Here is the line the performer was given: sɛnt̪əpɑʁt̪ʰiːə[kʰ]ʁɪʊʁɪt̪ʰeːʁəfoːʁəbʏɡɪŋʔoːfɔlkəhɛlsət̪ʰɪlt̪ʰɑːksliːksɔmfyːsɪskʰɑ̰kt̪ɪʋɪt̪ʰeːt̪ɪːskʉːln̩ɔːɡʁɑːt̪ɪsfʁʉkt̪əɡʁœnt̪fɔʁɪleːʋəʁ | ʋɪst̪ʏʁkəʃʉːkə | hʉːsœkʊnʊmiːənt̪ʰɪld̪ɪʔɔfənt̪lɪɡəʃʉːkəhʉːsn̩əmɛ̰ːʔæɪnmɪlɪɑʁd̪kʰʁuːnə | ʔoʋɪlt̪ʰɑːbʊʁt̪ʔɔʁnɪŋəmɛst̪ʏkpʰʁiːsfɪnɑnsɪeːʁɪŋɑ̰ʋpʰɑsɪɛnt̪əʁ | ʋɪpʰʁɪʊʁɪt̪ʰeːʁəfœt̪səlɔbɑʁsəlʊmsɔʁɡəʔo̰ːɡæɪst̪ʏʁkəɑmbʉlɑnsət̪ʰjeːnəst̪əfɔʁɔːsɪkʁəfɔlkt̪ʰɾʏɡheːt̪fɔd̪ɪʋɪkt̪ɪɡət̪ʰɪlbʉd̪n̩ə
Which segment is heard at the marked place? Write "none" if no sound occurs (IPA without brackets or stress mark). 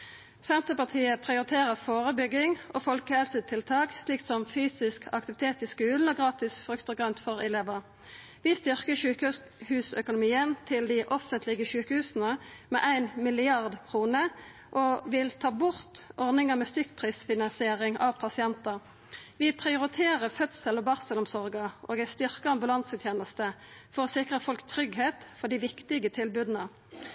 pʰ